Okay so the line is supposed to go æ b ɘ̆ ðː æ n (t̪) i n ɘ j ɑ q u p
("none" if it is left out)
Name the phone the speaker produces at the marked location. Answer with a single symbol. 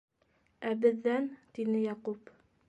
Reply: t̪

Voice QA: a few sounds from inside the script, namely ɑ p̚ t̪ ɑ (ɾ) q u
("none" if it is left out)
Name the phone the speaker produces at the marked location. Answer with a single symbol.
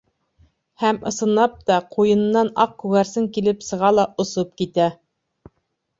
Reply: none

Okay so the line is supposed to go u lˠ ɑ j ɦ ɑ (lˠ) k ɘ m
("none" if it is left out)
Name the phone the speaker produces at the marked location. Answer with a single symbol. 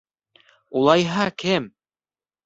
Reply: none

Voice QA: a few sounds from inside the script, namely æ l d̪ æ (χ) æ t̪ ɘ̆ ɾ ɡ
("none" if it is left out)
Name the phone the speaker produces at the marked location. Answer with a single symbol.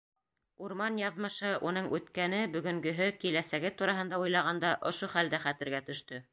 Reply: χ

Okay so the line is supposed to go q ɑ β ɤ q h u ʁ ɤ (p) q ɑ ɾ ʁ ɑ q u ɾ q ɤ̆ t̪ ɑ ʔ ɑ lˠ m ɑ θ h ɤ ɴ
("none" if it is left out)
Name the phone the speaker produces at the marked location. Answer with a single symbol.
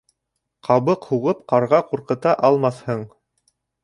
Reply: p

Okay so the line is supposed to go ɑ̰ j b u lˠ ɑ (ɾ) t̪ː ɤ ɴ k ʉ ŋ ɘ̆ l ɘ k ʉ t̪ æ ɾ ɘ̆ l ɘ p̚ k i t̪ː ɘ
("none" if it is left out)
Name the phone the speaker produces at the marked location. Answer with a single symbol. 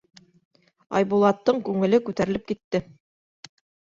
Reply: none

